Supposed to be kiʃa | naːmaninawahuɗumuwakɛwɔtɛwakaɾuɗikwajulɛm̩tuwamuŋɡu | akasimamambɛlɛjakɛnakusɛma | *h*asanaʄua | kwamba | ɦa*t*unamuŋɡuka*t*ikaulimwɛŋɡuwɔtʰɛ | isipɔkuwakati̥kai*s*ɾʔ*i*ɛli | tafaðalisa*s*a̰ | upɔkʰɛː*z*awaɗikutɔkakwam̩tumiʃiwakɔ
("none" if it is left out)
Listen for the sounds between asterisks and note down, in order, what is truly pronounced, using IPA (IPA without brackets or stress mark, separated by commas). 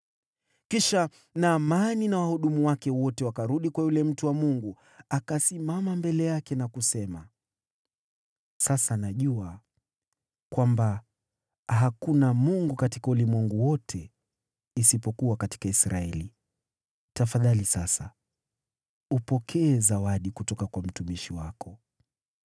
s, k, t, s, a, s, z